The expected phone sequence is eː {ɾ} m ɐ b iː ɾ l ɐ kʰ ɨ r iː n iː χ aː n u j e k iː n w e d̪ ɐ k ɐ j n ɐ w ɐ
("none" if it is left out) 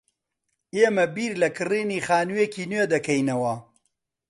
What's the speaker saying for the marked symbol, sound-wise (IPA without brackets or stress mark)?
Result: none